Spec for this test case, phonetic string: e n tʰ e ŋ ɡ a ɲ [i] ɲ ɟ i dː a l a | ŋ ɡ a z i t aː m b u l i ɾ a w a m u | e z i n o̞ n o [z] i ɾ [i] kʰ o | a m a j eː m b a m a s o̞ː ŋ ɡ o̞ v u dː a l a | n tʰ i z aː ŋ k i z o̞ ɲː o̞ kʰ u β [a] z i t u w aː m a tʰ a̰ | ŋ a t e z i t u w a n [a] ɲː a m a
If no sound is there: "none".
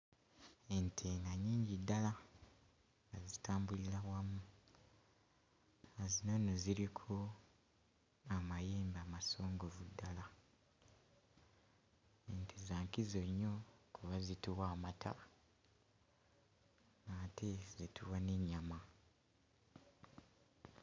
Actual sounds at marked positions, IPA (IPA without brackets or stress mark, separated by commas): iː, z, i, a, e